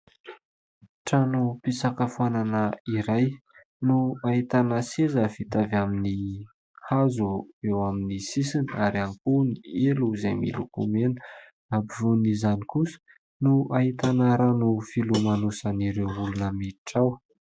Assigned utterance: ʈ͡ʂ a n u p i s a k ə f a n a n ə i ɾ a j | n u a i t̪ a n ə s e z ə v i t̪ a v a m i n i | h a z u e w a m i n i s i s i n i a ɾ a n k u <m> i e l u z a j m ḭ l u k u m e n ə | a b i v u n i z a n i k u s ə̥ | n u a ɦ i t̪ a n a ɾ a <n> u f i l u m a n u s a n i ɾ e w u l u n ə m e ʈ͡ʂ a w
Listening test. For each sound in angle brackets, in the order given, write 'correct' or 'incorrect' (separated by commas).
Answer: incorrect, correct